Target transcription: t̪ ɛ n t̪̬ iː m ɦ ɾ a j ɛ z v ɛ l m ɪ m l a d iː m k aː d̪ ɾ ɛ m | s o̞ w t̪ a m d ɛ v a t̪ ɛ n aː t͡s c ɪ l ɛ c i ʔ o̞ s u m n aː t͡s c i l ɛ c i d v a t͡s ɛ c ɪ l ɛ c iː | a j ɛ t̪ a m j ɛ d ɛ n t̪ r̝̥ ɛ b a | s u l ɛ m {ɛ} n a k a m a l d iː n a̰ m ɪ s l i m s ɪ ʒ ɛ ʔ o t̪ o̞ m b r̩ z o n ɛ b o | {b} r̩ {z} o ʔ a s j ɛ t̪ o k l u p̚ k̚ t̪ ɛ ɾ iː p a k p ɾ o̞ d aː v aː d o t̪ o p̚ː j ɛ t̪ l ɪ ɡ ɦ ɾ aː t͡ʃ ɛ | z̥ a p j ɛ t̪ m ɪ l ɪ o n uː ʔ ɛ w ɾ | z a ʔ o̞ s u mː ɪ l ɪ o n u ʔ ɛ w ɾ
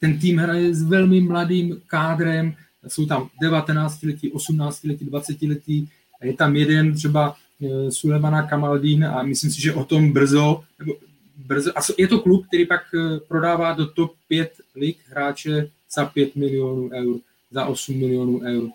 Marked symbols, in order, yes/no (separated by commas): no, yes, yes